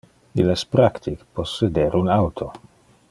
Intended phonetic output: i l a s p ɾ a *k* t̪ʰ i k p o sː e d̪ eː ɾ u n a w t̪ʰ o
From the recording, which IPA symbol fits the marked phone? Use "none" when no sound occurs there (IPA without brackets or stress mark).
k